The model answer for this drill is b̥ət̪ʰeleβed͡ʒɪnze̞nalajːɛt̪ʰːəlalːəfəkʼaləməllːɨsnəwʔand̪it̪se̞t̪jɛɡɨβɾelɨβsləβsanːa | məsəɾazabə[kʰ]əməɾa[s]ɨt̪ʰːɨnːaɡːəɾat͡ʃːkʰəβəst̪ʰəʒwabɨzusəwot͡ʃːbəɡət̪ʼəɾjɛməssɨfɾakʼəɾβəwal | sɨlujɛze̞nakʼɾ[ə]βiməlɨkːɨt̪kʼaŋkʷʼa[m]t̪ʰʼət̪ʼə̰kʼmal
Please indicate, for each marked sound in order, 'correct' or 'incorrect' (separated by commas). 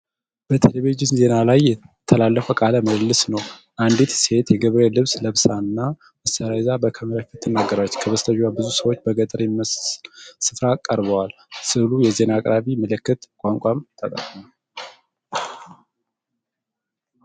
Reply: correct, incorrect, incorrect, correct